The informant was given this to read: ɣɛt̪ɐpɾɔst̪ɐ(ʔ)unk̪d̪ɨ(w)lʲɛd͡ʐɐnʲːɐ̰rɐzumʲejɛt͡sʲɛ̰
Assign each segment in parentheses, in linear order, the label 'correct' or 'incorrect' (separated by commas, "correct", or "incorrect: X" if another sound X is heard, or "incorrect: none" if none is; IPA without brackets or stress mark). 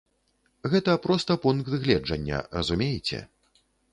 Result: incorrect: p, incorrect: ɣ